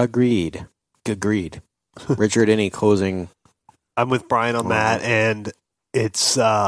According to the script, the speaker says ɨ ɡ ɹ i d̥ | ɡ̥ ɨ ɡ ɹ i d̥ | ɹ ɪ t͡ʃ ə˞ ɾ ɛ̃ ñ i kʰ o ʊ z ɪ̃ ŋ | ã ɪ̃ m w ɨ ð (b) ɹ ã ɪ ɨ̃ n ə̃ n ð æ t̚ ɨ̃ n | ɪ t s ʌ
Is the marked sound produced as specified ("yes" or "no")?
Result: yes